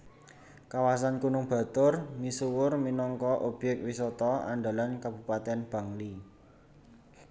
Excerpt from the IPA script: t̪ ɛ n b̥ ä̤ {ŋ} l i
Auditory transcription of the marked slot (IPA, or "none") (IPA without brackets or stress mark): ŋ